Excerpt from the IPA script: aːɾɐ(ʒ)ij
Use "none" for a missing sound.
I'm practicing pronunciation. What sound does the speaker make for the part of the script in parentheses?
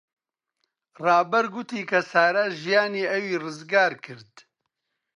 ʒ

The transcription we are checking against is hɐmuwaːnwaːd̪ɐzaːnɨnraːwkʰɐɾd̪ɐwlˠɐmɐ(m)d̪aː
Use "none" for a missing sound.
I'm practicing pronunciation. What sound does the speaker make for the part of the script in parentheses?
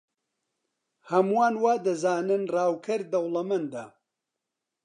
n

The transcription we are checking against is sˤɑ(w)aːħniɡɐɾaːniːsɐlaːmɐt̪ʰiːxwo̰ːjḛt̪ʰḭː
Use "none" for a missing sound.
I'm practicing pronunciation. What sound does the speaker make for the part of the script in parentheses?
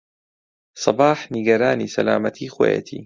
b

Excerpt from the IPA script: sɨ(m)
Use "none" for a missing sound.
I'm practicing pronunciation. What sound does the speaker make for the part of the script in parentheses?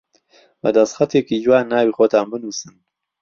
n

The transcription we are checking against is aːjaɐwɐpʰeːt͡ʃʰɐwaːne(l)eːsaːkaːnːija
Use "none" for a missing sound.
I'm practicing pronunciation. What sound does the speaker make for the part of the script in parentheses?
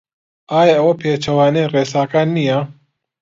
r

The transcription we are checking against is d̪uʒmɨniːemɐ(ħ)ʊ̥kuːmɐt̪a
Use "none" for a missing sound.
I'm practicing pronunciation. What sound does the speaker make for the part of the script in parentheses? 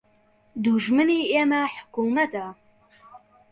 ħ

